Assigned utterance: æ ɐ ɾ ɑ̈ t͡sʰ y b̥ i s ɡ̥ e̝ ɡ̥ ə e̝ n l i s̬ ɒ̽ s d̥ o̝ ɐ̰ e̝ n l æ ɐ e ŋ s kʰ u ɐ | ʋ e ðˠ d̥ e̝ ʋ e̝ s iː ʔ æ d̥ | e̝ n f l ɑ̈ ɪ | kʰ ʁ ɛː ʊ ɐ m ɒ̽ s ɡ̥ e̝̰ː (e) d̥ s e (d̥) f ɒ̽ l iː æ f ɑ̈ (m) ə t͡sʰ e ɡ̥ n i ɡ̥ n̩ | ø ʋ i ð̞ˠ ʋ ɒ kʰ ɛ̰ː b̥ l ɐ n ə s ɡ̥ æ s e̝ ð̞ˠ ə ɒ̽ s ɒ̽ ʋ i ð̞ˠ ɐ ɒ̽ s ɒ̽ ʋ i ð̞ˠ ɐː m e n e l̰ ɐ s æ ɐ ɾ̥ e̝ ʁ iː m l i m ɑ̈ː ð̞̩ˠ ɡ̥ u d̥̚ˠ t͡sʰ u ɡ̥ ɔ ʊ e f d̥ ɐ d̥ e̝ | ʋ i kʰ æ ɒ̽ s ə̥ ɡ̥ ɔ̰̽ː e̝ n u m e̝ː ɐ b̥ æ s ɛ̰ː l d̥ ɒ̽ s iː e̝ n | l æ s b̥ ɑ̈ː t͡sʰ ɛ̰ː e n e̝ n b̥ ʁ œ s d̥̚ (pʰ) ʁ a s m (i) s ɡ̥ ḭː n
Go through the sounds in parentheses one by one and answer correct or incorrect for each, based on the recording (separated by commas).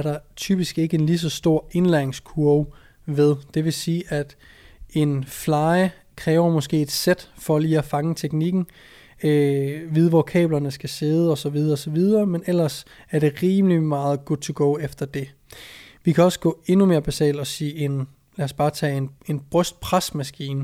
correct, correct, incorrect, correct, incorrect